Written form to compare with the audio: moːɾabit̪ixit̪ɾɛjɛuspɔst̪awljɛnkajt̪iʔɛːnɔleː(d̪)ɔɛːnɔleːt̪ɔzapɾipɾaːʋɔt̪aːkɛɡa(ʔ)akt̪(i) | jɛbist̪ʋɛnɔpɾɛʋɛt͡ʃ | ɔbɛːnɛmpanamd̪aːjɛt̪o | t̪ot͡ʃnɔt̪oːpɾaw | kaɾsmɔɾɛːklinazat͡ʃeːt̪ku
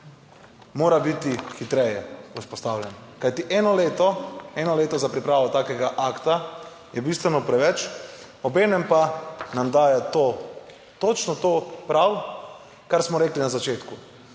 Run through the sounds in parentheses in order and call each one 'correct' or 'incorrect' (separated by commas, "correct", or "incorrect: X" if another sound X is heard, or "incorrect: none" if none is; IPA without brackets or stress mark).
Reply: incorrect: t̪, correct, incorrect: a